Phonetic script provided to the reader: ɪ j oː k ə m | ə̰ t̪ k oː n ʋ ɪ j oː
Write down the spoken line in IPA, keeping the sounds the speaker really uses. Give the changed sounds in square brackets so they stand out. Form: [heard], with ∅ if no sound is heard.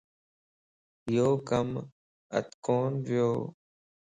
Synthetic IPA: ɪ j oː k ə m | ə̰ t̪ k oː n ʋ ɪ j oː